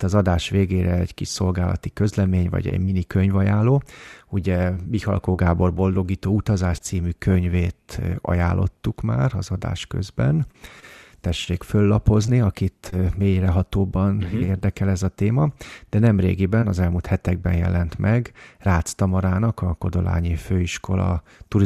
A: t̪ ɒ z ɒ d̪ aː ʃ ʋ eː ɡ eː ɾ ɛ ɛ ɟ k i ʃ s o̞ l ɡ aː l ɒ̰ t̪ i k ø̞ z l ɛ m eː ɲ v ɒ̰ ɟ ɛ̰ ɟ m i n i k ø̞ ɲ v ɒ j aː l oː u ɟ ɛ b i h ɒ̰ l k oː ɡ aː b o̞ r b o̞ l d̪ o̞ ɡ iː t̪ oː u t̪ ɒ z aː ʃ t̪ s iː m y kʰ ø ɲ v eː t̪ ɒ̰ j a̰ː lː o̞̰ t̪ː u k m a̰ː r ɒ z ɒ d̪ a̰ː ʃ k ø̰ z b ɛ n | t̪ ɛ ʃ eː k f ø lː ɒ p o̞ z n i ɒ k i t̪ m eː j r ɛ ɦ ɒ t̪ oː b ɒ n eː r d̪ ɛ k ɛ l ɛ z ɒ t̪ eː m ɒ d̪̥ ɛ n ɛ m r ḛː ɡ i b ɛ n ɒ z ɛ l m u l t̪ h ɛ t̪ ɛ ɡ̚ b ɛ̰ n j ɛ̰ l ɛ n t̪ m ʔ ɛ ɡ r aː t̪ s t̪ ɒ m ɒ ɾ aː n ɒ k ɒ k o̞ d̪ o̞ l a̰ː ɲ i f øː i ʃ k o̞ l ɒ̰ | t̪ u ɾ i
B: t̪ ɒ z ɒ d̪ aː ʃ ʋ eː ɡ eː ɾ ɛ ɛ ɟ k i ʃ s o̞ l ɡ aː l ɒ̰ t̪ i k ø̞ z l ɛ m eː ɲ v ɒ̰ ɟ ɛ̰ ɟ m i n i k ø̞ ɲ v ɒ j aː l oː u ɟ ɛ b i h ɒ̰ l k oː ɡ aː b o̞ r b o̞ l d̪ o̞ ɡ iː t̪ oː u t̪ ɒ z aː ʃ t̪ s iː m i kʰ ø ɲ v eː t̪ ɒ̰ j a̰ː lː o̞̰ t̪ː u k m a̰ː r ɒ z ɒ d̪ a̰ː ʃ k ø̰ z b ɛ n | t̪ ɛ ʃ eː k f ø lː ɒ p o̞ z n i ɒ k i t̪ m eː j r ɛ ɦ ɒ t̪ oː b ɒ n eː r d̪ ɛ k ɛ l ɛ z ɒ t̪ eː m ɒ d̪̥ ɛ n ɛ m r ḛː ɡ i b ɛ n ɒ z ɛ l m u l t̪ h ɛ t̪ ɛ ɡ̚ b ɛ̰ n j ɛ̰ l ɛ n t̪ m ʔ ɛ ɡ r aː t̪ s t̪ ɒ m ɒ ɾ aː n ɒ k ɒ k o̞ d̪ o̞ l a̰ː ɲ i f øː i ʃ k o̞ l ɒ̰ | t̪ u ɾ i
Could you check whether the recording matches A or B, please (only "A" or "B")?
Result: A